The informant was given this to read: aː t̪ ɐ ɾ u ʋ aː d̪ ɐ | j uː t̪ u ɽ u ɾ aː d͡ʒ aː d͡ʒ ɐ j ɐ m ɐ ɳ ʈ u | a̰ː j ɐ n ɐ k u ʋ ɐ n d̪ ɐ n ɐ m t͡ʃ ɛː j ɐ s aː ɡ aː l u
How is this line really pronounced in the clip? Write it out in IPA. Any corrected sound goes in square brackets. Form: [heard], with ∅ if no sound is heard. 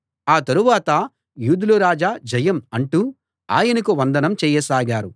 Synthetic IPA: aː t̪ ɐ ɾ u ʋ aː [t̪] ɐ | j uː [d̪] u [l] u ɾ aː d͡ʒ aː d͡ʒ ɐ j ɐ m ɐ ɳ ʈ u | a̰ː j ɐ n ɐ k u ʋ ɐ n d̪ ɐ n ɐ m t͡ʃ ɛː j ɐ s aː ɡ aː [ɾ] u

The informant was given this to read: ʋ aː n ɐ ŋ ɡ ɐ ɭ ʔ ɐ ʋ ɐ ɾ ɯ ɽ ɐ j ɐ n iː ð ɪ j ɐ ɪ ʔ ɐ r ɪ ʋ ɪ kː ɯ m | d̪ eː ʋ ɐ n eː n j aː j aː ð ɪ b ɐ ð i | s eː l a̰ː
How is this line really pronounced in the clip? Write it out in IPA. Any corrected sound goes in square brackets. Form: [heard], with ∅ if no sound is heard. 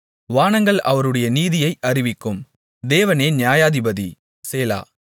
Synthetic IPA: ʋ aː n ɐ ŋ ɡ ɐ ɭ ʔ ɐ ʋ ɐ ɾ ɯ ɽ ɐ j ɐ n iː ð ɪ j ɐ ɪ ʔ ɐ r ɪ ʋ ɪ kː ɯ m | d̪ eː ʋ ɐ n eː n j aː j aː ð ɪ b ɐ ð i | s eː l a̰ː

